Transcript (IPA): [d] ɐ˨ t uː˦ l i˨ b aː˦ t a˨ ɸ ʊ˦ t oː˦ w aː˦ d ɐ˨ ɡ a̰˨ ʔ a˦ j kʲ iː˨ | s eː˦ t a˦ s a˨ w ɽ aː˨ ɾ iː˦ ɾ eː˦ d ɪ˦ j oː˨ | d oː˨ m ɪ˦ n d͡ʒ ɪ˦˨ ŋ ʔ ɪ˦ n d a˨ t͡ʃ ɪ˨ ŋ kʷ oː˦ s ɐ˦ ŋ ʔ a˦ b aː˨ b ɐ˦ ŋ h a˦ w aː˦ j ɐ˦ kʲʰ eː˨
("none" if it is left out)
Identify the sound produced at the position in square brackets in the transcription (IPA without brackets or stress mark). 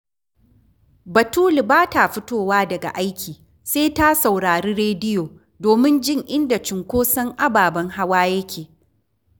b